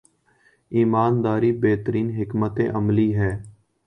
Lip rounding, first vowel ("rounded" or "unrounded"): unrounded